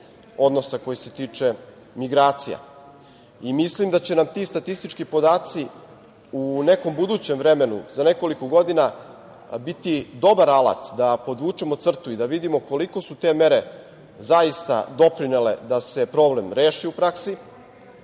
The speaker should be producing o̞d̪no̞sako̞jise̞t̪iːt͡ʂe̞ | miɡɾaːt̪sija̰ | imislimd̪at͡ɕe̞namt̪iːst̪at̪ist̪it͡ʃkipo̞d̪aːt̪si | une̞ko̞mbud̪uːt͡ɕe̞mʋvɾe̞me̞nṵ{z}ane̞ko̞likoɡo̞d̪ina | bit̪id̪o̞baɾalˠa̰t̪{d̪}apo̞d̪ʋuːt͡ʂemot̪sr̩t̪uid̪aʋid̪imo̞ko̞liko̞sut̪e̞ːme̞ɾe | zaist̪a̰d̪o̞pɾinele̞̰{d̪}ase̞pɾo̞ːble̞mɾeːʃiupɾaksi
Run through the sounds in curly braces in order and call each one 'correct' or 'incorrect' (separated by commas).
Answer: correct, correct, correct